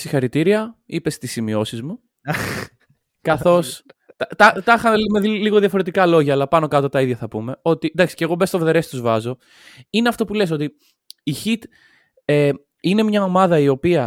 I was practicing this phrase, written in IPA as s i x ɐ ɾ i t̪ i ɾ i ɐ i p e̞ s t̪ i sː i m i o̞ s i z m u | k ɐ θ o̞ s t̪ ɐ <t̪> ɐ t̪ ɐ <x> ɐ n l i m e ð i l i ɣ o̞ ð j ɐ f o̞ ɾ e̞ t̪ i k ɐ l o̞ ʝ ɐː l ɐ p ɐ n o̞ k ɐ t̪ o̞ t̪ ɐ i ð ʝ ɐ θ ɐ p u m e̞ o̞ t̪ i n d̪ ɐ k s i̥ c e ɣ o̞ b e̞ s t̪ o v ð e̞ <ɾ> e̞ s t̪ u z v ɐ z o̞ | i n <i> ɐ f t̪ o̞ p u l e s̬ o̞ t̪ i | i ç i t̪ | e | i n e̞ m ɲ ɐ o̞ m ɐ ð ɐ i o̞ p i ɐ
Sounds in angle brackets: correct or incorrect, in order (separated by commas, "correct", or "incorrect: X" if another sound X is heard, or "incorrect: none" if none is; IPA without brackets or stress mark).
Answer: correct, correct, correct, incorrect: e